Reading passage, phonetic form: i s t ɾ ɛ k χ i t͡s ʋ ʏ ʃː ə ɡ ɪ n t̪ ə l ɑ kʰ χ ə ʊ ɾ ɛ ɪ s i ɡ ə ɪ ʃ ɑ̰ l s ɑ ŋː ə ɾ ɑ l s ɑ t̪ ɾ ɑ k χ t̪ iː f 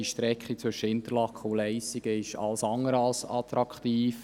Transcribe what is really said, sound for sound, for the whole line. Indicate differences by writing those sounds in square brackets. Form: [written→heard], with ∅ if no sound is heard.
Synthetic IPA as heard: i [s→ʃ] t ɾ ɛ k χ i t͡s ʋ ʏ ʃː ə [ɡ→∅] ɪ n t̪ ə l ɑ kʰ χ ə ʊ [ɾ→l] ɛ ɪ s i ɡ ə ɪ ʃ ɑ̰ l s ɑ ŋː ə ɾ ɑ l s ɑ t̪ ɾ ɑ k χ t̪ iː f

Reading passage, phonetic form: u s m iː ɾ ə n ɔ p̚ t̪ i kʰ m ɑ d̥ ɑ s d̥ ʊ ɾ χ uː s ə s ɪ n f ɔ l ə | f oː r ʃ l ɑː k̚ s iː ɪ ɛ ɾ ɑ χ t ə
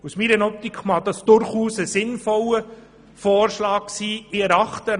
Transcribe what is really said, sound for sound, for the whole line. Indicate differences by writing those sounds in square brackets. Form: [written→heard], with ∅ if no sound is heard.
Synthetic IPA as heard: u s m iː ɾ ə n ɔ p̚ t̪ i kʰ m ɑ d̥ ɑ s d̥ ʊ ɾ χ uː s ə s ɪ n f ɔ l ə | f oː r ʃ l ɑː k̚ s iː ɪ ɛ ɾ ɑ χ t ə

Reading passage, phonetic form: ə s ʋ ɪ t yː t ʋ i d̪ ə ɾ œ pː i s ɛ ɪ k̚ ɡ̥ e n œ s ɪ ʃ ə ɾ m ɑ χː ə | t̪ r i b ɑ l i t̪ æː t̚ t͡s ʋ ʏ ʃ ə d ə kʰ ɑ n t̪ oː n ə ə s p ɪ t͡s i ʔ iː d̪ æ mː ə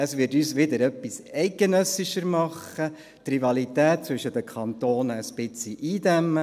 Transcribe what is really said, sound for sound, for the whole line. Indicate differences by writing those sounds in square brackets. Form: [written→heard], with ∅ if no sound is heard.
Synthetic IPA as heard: ə s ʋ ɪ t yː [t→s] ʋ [i→ɪ] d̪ ə ɾ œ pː i s ɛ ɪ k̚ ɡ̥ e n œ s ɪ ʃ ə ɾ m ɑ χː ə | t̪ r i [b→v] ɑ l i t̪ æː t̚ t͡s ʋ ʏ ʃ ə d ə kʰ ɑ n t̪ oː n ə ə s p ɪ t͡s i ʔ iː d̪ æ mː ə

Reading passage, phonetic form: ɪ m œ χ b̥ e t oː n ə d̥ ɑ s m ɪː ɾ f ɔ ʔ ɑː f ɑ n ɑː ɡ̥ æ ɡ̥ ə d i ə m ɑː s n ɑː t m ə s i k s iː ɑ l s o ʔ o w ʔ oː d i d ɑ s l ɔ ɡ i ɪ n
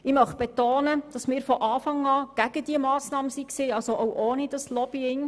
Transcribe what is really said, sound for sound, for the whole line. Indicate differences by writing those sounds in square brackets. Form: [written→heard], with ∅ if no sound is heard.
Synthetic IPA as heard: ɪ m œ χ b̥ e t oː n ə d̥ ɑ s m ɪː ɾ f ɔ ʔ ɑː f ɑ [n→ŋ] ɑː ɡ̥ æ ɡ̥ ə d i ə m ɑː s n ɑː [t→∅] m ə s i k s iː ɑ l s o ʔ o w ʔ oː [d→n] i d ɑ s l ɔ [ɡ→b] i ɪ [n→ŋ]

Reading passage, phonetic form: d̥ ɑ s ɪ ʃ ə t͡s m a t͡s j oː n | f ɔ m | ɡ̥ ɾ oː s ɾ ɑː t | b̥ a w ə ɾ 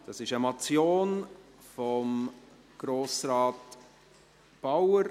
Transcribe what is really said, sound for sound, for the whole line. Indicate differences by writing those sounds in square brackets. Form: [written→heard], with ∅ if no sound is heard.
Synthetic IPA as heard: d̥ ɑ s ɪ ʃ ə [t͡s→∅] m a t͡s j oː n | f ɔ m | ɡ̥ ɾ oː s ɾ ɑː t | b̥ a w ə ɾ

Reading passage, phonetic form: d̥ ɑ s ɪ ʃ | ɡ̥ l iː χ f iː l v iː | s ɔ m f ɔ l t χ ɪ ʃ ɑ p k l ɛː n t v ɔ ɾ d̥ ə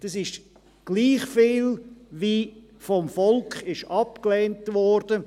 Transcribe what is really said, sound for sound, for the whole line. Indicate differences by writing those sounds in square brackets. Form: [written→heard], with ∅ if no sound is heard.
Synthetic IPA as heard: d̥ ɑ s ɪ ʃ | ɡ̥ l iː χ f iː l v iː | [s→f] ɔ m f ɔ l [t→k] χ ɪ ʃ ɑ p k l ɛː n t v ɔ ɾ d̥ ə

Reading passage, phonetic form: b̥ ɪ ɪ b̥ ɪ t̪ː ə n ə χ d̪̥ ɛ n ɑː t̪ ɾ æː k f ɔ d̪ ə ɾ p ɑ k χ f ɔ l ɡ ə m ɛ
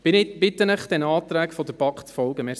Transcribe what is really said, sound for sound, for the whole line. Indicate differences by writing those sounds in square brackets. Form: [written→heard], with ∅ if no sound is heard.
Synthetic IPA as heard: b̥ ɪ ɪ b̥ ɪ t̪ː ə n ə χ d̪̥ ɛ n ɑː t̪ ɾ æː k f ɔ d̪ ə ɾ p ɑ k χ f ɔ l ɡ ə m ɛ

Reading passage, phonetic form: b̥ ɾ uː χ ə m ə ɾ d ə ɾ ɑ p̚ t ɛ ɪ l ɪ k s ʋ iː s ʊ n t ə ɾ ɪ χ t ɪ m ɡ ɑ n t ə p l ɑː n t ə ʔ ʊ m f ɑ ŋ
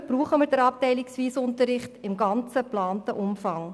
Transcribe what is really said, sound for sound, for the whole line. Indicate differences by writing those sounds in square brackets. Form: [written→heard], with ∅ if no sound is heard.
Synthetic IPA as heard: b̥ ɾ uː χ ə m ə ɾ d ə ɾ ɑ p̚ t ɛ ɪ l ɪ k s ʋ iː s ʊ n t ə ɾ ɪ χ t ɪ m ɡ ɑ n [t→t͡s] ə p l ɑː n t ə ʔ ʊ m f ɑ ŋ

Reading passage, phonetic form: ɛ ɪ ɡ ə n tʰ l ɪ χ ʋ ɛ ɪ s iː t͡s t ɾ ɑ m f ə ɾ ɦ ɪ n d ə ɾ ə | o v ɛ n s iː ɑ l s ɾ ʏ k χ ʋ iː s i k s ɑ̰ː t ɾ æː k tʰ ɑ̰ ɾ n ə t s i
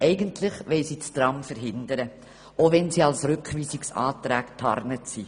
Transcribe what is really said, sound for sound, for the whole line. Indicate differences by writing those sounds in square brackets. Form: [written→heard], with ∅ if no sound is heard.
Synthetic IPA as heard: ɛ ɪ ɡ ə n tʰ l ɪ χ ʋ ɛ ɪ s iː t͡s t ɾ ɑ m f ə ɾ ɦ ɪ n d ə ɾ ə | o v ɛ n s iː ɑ l s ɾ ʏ k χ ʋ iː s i k s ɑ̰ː t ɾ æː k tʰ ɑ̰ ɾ n ə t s i

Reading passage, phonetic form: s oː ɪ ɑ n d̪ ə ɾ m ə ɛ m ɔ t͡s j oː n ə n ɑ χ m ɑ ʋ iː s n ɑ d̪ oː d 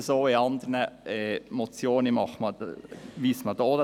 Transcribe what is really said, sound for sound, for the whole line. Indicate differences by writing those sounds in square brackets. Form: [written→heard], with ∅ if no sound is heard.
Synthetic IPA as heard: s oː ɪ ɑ n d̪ ə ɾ [m→n] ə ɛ m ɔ t͡s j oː n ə [n→m] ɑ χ m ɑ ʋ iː s [n→m] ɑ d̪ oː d

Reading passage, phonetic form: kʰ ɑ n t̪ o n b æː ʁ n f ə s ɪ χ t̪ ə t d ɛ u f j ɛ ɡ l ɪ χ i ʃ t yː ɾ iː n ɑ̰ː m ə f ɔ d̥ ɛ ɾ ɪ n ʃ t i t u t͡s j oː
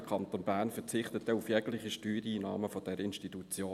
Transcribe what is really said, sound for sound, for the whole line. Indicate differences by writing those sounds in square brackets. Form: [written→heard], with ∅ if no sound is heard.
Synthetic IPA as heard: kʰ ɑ n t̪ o n b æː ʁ n f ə [s→t͡s] ɪ χ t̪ ə t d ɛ u f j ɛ ɡ l ɪ χ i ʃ t yː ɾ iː n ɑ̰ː m ə f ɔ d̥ ɛ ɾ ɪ n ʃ t i t u t͡s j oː

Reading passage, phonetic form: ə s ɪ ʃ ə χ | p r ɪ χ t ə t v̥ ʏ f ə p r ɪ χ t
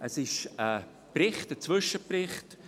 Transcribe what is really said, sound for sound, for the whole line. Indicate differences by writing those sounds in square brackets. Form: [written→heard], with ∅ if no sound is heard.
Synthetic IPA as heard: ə s ɪ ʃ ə [χ→∅] | p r ɪ χ t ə [t→t͡s] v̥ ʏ [f→ʃ] ə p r ɪ χ t

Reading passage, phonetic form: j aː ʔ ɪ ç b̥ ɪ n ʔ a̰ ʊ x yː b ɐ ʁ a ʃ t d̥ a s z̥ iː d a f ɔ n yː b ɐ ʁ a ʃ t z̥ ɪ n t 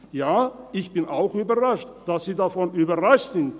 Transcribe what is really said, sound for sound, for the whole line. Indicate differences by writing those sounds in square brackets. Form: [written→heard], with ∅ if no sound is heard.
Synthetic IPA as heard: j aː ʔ ɪ ç b̥ ɪ n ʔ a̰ ʊ x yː b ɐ ʁ a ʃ t d̥ a s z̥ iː d a f ɔ n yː b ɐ ʁ a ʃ t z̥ ɪ n t

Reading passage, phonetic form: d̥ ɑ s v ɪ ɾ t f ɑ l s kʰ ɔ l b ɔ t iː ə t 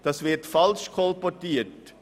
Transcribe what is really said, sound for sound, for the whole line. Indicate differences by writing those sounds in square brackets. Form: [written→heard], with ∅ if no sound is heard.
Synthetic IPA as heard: d̥ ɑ s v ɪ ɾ t f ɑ l [s→ʃ] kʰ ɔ l [b→p] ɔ t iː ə t

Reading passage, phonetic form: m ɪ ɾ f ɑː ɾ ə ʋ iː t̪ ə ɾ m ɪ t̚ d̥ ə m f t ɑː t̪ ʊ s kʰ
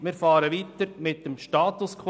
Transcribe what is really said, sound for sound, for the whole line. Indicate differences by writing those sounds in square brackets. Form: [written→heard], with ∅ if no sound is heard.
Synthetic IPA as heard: m ɪ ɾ f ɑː ɾ ə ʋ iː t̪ ə ɾ m ɪ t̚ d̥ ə m [f→ʃ] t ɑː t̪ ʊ s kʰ

